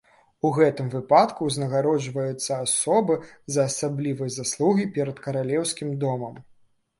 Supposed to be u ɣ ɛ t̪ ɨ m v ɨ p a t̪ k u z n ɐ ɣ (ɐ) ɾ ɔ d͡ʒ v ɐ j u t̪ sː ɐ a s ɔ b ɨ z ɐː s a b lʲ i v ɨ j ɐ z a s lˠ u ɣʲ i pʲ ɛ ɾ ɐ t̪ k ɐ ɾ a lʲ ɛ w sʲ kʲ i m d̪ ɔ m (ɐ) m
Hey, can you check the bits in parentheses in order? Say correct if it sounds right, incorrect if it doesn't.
incorrect: a, correct

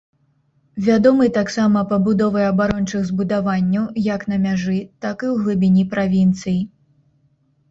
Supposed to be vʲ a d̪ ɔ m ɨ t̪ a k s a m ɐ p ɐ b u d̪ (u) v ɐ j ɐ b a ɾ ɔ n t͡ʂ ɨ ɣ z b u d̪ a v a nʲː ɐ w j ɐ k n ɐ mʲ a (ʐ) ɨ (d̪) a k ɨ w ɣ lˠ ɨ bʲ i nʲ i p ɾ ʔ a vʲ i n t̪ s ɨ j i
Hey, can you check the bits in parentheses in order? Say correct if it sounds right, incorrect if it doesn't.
incorrect: ɔ, correct, incorrect: t̪

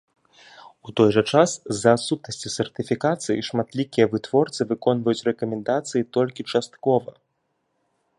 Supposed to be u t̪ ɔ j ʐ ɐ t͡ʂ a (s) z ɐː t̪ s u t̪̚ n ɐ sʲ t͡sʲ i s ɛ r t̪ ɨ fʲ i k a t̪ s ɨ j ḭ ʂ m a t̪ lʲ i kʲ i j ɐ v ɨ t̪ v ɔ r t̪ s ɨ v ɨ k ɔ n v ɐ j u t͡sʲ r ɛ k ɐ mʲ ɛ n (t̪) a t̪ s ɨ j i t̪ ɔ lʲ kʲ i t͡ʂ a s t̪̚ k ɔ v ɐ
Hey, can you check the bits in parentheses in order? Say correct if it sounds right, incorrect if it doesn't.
correct, incorrect: d̪

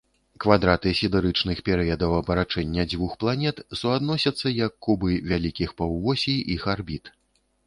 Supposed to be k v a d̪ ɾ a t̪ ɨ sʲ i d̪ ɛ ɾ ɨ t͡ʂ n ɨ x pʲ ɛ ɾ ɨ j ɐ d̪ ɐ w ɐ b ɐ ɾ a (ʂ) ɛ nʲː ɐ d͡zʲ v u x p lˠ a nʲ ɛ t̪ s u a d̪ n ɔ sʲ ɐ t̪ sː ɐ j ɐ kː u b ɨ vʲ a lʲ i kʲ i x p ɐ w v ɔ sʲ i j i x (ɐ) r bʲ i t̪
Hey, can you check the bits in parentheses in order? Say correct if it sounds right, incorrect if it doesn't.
incorrect: t͡ʂ, incorrect: a

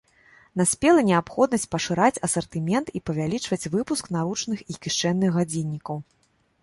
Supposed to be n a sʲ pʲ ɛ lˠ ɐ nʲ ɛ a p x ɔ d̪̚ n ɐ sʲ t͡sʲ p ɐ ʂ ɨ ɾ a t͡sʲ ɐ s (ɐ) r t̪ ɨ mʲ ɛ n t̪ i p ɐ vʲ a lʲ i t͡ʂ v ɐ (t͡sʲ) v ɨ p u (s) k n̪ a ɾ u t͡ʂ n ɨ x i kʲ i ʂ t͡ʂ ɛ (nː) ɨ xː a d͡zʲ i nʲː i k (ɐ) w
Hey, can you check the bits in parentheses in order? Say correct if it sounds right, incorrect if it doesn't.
correct, correct, correct, correct, correct

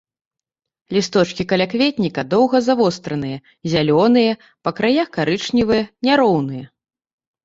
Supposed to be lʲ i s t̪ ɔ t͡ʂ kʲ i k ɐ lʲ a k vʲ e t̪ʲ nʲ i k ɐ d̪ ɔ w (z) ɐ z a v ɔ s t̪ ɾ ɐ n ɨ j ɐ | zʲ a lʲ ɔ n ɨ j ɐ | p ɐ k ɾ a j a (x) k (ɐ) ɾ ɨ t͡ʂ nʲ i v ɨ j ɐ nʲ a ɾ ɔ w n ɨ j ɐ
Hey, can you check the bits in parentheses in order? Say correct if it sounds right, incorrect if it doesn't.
incorrect: ɣ, correct, incorrect: a

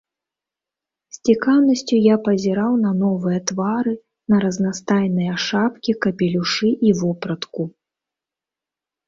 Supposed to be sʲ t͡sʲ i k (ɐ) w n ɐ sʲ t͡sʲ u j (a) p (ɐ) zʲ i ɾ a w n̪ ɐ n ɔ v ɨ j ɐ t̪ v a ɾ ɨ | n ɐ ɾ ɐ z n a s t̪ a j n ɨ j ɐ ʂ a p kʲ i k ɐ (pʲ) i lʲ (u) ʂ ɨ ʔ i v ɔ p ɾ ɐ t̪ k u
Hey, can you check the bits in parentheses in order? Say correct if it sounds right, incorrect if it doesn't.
incorrect: a, correct, correct, correct, correct

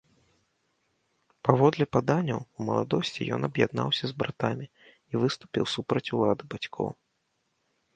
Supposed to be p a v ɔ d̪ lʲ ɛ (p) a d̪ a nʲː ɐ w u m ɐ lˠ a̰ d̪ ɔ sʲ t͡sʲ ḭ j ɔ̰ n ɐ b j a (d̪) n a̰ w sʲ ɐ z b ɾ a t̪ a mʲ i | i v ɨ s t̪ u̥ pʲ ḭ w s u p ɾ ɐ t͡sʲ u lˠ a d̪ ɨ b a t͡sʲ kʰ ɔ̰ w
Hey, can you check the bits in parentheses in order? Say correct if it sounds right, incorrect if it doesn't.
correct, correct

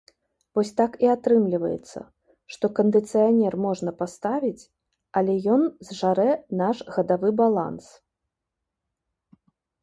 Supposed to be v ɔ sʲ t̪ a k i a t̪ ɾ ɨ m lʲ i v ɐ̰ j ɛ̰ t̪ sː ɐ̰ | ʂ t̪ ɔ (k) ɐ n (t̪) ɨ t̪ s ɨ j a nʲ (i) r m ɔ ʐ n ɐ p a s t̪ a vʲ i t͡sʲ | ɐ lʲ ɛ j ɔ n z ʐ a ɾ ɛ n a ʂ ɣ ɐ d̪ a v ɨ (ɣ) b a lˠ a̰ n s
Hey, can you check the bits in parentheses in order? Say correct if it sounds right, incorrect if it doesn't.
correct, incorrect: d̪, incorrect: ɛ, incorrect: none

